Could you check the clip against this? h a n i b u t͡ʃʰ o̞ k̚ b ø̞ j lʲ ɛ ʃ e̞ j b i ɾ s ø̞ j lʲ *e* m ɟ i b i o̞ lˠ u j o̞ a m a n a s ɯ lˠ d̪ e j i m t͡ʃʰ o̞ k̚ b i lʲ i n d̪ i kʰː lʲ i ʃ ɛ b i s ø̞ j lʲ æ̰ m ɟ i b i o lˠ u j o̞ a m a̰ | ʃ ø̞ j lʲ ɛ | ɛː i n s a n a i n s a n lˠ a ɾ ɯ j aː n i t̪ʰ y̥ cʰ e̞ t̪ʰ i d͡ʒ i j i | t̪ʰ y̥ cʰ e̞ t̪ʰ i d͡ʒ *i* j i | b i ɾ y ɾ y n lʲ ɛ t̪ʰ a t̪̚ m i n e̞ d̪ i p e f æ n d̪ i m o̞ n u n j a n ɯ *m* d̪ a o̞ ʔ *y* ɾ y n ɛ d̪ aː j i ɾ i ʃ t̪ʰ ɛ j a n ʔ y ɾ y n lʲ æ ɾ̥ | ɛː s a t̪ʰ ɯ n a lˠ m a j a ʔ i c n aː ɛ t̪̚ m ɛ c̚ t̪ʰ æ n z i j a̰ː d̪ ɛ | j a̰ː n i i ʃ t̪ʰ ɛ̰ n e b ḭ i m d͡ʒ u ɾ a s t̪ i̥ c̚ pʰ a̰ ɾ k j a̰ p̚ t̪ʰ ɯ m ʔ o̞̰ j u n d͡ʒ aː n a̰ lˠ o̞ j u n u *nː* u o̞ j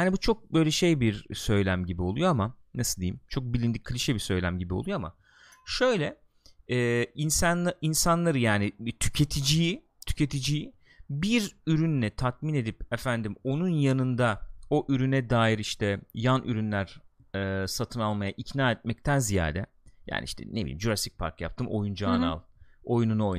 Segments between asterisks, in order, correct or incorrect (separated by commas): incorrect, correct, incorrect, correct, incorrect